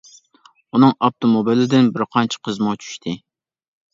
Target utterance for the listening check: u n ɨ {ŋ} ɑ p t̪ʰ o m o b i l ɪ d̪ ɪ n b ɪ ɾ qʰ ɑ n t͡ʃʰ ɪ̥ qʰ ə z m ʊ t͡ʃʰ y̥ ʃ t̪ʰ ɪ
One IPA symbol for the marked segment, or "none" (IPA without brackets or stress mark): ŋ